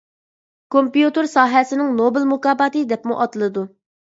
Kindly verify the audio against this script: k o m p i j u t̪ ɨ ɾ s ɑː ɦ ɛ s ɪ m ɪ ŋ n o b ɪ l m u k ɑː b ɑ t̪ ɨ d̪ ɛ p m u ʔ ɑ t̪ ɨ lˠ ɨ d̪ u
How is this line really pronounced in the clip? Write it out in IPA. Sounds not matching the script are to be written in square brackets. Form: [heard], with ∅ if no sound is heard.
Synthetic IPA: k o m p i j u t̪ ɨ ɾ s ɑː ɦ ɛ s ɪ [n] ɪ ŋ n o b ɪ l m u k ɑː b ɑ t̪ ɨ d̪ ɛ p m u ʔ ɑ t̪ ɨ lˠ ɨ d̪ u

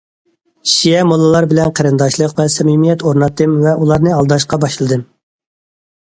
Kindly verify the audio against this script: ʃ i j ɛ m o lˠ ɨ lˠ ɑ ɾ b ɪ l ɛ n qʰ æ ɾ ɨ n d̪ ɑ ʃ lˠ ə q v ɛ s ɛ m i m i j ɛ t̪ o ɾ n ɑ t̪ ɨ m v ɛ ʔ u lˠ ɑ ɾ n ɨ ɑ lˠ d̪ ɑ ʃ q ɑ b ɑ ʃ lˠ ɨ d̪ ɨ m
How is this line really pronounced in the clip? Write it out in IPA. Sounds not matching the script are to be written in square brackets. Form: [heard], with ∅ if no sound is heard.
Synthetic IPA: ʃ i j ɛ m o lˠ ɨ lˠ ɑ ɾ b ɪ l ɛ n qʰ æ ɾ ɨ n d̪ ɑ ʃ lˠ ə q v ɛ s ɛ m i m i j ɛ t̪ o ɾ n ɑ t̪ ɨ m v ɛ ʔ u lˠ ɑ ɾ n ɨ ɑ lˠ d̪ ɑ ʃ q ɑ b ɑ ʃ lˠ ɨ d̪ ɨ m

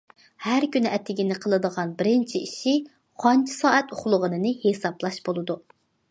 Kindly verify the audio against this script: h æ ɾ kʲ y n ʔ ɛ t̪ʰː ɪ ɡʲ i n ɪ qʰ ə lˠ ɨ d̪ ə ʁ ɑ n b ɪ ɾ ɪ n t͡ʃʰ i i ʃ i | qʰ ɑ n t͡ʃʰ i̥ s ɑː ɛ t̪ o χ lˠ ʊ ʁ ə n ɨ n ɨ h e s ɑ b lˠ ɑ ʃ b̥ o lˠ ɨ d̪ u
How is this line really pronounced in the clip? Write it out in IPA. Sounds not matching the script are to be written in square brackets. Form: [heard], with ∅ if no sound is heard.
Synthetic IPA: h æ ɾ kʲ y n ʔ ɛ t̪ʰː ɪ ɡʲ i n ɪ qʰ ə lˠ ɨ d̪ ə ʁ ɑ n b ɪ ɾ ɪ n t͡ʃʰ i i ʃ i | qʰ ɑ n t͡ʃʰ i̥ s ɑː ɛ t̪ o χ lˠ ʊ ʁ ə n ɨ n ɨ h e s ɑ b lˠ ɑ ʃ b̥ o lˠ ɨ d̪ u

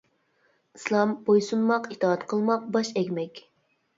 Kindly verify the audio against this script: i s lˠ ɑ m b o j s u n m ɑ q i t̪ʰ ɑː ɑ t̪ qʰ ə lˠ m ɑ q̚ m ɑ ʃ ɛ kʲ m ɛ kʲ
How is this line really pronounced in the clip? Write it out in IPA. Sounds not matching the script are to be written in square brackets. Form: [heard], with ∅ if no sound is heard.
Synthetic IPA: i s lˠ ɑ m b o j s u n m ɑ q i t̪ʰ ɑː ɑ t̪ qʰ ə lˠ m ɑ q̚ [b] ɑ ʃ ɛ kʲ m ɛ kʲ

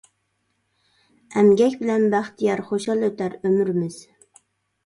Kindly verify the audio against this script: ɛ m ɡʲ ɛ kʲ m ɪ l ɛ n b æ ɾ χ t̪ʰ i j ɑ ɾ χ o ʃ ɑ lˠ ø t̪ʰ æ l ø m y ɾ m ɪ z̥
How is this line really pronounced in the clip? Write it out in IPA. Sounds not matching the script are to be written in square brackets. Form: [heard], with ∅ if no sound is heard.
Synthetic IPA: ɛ m ɡʲ ɛ kʲ [b] ɪ l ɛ n b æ [∅] χ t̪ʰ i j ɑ ɾ χ o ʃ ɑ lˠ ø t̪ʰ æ [ɾ] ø m y ɾ m ɪ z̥

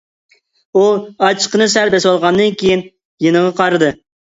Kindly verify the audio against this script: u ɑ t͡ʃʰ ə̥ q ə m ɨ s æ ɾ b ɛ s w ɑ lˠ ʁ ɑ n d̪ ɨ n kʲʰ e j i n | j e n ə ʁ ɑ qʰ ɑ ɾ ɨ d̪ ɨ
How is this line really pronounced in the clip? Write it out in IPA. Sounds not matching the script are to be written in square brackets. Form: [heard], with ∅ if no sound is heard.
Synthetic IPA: u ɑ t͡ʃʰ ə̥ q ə [n] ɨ s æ ɾ b ɛ s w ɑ lˠ ʁ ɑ n d̪ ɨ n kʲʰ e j i n | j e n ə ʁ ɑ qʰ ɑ ɾ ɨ d̪ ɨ

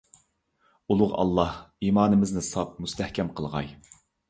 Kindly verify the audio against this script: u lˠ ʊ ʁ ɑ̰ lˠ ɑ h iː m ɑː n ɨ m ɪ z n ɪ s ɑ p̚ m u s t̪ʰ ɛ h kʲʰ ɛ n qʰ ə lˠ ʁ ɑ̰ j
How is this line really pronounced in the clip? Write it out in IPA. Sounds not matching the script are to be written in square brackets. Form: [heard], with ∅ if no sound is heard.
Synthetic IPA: u lˠ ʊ ʁ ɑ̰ [lˠː] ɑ h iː m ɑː n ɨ m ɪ z n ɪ s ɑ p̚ m u s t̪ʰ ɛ h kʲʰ ɛ [m] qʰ ə lˠ ʁ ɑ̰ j

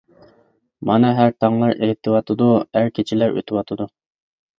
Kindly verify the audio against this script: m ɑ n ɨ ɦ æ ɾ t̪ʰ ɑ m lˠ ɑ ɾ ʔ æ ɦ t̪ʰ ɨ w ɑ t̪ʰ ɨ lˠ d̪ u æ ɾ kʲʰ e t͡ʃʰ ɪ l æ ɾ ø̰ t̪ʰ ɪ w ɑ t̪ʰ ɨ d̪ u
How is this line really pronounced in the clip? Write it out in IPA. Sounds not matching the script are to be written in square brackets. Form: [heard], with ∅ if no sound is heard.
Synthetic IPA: m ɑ n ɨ ɦ æ ɾ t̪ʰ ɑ [ŋ] lˠ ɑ ɾ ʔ [e] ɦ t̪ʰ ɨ w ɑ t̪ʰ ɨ [∅] d̪ u æ ɾ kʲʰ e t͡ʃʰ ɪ l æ ɾ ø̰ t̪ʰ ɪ w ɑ t̪ʰ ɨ d̪ u

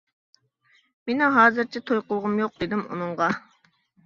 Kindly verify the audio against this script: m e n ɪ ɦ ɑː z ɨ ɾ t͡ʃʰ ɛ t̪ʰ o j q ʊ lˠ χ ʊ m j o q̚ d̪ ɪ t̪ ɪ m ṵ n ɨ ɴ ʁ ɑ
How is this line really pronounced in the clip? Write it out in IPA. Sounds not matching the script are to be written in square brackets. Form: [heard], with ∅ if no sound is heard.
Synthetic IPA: m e n ɪ ɦ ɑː z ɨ ɾ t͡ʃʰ ɛ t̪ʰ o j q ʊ lˠ [ʁ] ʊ m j o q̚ d̪ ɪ [d̪] ɪ m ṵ n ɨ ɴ ʁ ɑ

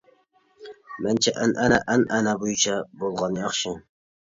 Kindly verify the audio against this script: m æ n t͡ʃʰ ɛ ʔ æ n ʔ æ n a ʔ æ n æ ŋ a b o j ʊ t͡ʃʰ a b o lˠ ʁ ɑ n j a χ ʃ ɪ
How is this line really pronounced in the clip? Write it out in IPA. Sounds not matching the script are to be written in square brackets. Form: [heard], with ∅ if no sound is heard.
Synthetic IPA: m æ n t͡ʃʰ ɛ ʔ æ n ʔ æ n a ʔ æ n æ [n] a b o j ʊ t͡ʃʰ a b o lˠ ʁ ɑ n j [ɑ] χ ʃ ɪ

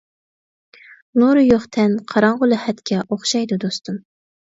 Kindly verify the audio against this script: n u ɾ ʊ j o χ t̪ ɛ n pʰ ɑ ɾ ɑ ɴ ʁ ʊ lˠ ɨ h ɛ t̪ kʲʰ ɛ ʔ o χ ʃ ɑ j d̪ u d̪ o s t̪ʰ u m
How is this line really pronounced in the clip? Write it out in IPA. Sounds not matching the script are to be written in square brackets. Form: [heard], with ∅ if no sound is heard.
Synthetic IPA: n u ɾ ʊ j o χ [t̪ʰ] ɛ n [qʰ] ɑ ɾ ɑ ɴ ʁ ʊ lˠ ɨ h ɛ t̪ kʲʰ ɛ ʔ o χ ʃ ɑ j d̪ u d̪ o s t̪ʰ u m

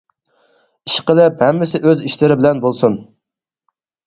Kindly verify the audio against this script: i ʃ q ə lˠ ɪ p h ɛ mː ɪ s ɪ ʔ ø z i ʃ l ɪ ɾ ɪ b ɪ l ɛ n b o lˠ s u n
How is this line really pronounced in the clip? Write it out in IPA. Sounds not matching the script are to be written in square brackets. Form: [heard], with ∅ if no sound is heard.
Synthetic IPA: i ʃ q ə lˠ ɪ p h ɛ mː ɪ s ɪ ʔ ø z i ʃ l ɪ ɾ ɪ b ɪ l ɛ n b o lˠ s u n

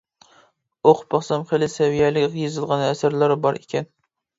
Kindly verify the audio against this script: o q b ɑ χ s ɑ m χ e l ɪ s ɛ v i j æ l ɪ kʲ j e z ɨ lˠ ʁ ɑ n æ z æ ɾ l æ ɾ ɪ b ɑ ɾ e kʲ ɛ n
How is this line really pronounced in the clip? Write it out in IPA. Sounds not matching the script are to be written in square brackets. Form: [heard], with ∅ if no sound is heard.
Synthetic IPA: o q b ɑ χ s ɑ m χ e l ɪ s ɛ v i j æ l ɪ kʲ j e z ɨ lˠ ʁ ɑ n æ [s] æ ɾ l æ ɾ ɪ b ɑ ɾ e kʲ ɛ n

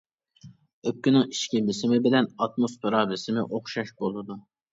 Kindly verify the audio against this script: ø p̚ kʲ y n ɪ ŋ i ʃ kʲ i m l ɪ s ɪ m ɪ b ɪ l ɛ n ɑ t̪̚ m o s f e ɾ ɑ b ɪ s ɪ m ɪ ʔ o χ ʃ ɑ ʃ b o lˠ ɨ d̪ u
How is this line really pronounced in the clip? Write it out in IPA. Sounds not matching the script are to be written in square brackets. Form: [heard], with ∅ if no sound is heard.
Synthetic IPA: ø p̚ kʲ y n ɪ ŋ i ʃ kʲ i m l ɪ s ɪ m ɪ b ɪ l ɛ n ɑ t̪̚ m o s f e ɾ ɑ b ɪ s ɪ m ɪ ʔ o χ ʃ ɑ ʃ b o lˠ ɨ d̪ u

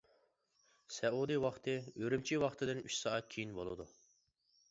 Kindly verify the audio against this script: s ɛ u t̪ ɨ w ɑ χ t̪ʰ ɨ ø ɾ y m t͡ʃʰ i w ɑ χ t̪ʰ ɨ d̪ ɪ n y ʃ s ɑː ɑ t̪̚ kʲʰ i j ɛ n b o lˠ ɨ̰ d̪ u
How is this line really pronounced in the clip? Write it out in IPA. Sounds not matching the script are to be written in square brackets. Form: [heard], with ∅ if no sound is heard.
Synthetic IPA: s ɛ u [d̪] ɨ w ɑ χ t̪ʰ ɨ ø ɾ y m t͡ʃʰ i w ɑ χ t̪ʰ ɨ d̪ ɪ n y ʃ s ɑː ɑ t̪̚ kʲʰ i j [i] n b o lˠ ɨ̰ d̪ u

